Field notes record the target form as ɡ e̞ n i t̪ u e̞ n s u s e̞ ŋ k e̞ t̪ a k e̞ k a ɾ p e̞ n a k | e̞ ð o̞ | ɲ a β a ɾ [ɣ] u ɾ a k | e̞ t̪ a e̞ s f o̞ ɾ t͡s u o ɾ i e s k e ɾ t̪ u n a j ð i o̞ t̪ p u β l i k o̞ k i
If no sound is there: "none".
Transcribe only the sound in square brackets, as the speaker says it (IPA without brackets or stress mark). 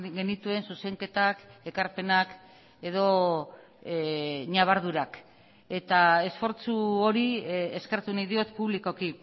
ð